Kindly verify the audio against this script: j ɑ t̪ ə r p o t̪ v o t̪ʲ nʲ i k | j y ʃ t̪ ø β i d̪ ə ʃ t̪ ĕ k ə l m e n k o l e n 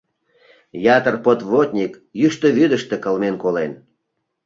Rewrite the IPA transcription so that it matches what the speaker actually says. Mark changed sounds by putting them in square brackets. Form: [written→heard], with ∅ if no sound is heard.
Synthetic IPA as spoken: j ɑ t̪ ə r p o t̪ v o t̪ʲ nʲ i k | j y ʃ t̪ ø β [i→y] d̪ ə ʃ t̪ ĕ k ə l m e n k o l e n